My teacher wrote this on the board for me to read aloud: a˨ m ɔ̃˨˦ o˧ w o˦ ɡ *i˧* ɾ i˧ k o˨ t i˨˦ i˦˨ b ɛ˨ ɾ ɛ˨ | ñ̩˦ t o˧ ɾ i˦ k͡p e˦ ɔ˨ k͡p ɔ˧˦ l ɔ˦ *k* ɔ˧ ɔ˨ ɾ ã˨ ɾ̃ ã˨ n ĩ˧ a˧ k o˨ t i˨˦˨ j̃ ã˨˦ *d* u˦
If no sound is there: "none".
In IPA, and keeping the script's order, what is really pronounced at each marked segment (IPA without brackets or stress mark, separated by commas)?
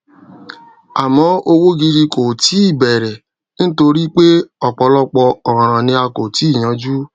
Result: i˧, k͡p, d͡ʒ